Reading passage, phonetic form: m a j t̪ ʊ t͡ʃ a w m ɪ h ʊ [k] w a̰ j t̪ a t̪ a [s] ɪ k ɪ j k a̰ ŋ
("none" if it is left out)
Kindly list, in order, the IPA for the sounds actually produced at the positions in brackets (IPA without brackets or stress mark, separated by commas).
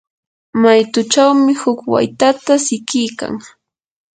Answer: k, s